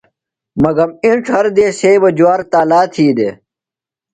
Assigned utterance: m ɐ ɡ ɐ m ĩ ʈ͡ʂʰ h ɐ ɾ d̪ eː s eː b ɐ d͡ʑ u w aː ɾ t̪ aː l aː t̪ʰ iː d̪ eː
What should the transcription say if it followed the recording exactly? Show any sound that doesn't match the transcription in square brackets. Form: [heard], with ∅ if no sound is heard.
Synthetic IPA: m ɐ ɡ ɐ m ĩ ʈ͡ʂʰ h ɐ ɾ d̪ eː s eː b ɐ d͡ʑ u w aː ɾ t̪ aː l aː t̪ʰ iː d̪ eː